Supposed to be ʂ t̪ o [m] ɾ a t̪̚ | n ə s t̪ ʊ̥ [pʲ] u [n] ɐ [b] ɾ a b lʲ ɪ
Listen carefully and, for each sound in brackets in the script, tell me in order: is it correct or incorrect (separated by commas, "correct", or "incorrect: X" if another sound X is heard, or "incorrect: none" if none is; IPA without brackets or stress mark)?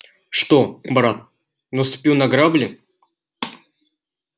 incorrect: b, correct, correct, incorrect: ɡ